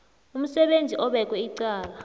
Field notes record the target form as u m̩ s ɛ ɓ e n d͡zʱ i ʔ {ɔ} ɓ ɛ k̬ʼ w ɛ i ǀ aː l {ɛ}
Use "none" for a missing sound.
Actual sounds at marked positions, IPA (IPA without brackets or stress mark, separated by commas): ɔ, a